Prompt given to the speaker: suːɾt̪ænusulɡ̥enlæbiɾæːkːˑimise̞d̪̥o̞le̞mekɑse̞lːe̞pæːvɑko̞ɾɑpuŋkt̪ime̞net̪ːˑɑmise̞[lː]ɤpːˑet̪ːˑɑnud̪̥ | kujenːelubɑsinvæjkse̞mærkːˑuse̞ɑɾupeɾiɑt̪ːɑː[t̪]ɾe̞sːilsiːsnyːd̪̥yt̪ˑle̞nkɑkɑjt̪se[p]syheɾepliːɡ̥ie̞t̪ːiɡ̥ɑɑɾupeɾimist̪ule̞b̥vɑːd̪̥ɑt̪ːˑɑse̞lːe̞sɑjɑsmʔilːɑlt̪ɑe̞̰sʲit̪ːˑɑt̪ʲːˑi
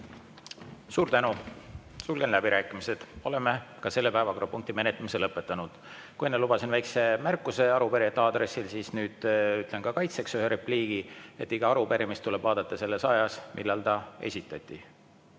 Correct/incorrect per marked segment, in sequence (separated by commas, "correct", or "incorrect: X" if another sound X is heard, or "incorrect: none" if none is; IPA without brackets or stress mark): incorrect: l, incorrect: d̪, incorrect: k